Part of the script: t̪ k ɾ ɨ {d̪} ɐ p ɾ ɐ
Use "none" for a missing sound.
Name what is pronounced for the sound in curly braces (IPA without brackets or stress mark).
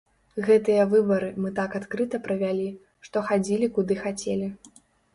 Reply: t̪